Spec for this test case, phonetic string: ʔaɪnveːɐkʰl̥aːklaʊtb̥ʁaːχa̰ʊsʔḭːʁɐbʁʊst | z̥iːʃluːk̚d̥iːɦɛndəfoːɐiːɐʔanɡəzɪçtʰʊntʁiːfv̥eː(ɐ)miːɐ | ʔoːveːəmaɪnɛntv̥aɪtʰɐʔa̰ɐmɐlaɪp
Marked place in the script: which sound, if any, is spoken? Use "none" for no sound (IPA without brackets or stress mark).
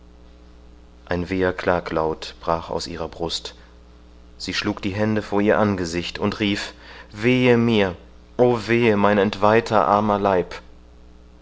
ə